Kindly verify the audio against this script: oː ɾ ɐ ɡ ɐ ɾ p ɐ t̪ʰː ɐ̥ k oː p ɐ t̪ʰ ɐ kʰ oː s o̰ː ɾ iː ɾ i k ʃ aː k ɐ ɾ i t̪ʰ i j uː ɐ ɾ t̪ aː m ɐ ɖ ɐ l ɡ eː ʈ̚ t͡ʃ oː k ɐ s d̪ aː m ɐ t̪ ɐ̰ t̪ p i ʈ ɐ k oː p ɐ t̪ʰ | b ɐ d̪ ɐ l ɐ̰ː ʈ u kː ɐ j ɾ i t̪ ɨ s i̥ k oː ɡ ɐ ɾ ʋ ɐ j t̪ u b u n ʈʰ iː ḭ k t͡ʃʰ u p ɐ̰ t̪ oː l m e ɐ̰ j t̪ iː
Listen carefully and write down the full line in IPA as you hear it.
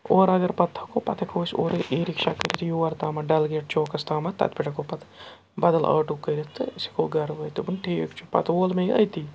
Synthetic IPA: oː ɾ ɐ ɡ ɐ ɾ p ɐ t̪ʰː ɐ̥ k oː p ɐ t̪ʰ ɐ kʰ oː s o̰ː ɾ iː ɾ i k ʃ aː k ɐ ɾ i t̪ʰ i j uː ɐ ɾ t̪ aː m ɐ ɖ ɐ l ɡ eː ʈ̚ t͡ʃ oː k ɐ s t̪ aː m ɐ t̪ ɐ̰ t̪ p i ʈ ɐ k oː p ɐ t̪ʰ | b ɐ d̪ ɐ l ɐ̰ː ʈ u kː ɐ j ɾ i t̪ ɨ s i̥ k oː ɡ ɐ ɾ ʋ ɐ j t̪ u b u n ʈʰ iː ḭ k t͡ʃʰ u p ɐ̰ t̪ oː l m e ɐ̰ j t̪ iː